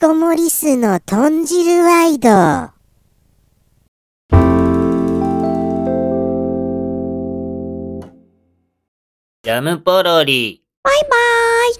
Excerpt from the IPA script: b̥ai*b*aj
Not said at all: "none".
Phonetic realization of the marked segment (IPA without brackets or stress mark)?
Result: b